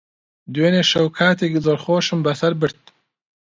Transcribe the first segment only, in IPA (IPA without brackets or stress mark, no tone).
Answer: d̪